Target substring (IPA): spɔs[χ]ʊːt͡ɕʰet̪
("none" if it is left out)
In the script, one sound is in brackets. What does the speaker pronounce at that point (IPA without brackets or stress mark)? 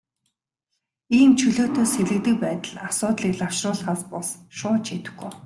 ʃ